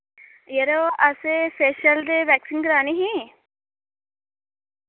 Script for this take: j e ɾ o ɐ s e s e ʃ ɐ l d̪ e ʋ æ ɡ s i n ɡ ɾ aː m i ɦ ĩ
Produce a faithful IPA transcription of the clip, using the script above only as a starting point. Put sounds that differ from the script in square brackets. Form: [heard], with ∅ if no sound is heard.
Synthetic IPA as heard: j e ɾ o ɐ s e s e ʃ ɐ l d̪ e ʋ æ [k] s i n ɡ ɾ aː [n] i ɦ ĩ